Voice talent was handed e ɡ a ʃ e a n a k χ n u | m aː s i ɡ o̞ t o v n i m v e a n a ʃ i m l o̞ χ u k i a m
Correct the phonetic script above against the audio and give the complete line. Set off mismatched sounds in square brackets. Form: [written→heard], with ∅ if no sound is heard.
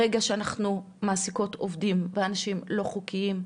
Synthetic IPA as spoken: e ɡ a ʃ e a n a [k→∅] χ n u | m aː s i [ɡ→k] o̞ t o v [n→d] i m v e a n a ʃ i m l o̞ χ u k i [a→i] m